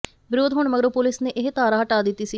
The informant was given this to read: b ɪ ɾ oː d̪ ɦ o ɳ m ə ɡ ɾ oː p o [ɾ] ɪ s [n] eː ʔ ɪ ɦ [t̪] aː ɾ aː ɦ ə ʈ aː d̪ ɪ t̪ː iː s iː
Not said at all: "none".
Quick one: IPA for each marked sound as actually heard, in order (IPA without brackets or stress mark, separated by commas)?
l, n, t̪